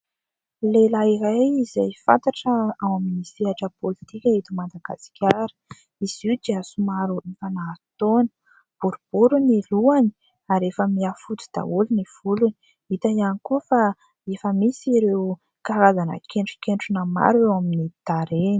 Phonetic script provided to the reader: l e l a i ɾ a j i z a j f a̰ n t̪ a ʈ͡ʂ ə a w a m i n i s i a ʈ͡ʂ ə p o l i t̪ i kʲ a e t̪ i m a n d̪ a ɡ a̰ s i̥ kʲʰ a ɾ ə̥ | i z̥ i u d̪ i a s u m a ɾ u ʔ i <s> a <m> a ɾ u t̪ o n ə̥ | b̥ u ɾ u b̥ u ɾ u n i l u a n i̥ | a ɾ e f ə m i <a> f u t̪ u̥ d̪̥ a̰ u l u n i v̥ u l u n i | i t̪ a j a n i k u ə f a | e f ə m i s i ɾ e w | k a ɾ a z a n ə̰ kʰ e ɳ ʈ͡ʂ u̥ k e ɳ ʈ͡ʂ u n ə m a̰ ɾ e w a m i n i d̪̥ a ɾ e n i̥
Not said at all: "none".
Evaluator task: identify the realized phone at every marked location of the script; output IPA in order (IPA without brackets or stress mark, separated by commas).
f, n, a